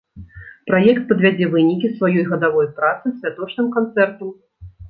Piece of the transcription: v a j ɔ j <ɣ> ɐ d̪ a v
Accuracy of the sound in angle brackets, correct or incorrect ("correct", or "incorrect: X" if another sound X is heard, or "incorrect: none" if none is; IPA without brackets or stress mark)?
correct